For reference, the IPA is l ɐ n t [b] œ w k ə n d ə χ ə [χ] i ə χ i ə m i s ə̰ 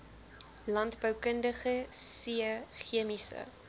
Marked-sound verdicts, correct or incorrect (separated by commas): correct, incorrect